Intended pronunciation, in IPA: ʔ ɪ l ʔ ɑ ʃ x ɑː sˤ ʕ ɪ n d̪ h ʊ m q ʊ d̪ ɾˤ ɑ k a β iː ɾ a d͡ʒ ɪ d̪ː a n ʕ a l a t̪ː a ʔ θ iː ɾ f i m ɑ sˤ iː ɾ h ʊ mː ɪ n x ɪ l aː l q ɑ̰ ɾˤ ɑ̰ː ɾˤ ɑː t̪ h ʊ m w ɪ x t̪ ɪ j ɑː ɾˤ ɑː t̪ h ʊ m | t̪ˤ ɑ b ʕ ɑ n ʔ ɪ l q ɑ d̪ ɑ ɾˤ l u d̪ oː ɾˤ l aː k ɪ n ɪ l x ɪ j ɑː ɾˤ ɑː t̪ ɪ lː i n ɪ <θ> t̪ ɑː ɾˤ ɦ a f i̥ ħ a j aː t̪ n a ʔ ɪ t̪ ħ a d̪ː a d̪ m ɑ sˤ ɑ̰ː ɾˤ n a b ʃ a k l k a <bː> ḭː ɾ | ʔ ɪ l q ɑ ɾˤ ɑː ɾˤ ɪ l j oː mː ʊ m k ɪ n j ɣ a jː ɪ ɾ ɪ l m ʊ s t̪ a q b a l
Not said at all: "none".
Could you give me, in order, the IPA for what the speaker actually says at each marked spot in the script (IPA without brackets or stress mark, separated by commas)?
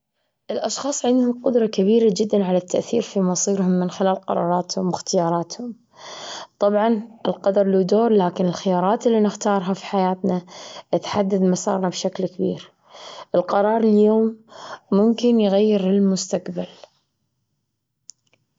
x, b